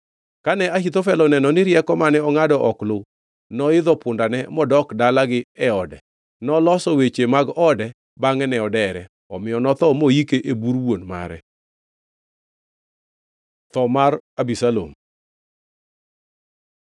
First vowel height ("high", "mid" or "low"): low